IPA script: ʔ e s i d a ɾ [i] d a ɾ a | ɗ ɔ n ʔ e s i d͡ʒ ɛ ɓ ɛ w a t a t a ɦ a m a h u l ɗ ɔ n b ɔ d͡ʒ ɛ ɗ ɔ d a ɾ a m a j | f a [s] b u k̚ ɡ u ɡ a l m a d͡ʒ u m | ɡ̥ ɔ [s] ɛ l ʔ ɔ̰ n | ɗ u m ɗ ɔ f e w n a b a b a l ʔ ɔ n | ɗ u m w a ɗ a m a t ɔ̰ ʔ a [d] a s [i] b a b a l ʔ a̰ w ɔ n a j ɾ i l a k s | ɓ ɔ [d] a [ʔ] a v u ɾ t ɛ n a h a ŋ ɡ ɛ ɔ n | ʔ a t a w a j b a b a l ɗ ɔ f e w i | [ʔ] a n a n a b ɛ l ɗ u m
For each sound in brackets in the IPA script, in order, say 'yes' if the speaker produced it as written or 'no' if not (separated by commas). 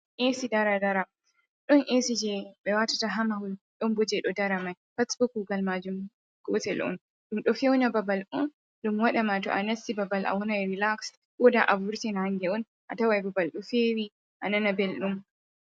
no, yes, no, no, yes, yes, yes, yes